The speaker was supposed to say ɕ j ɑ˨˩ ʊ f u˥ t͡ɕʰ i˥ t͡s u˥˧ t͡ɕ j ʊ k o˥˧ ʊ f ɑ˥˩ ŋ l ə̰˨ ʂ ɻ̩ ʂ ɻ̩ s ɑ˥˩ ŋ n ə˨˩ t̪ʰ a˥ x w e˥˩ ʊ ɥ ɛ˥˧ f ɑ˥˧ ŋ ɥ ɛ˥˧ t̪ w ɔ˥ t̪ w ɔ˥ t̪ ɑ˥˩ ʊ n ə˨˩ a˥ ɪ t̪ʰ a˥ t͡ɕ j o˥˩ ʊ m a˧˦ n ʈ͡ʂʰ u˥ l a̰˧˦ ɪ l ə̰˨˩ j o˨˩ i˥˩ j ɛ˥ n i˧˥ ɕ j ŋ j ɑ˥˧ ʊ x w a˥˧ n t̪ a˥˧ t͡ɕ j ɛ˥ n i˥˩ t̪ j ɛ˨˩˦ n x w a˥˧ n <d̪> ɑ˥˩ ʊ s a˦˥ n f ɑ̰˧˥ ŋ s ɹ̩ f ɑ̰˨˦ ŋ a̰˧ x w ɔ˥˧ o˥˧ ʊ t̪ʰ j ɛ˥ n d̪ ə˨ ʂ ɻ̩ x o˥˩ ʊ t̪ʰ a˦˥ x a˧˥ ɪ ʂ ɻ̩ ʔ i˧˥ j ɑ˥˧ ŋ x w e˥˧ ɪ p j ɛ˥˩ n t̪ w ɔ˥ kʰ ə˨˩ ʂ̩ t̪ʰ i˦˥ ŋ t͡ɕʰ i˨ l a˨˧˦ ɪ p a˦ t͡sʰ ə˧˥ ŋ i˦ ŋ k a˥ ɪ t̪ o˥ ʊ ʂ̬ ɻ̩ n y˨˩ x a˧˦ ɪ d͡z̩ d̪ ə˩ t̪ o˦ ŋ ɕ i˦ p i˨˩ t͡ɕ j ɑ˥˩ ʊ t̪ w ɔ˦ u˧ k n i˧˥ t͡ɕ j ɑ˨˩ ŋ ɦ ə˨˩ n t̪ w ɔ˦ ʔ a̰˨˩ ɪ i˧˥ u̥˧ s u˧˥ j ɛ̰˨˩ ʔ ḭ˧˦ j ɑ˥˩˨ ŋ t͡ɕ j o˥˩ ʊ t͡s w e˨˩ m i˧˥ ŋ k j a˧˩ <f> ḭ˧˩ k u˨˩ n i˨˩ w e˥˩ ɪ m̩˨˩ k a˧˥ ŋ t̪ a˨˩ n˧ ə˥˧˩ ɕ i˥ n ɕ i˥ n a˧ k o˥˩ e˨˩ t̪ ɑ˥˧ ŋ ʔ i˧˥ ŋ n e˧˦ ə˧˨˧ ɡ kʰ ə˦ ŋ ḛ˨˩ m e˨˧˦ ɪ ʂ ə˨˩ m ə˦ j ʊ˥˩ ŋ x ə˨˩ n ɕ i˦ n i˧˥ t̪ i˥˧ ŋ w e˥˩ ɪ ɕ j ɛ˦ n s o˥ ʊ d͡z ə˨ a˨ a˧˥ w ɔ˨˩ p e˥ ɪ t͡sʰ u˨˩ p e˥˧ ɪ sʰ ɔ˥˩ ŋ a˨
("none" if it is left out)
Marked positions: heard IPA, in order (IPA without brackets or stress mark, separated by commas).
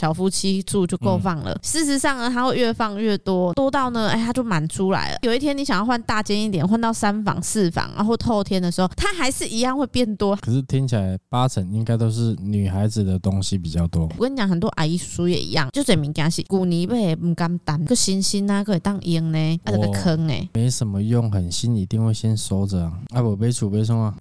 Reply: t̪, ɕ